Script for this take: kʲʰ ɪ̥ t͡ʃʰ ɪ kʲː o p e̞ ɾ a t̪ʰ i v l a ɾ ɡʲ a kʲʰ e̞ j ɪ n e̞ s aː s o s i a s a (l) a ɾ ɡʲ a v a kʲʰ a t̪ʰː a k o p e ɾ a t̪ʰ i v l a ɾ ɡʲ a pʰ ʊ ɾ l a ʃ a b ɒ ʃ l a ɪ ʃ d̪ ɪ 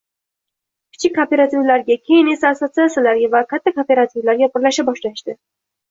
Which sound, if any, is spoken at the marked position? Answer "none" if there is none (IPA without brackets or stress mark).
l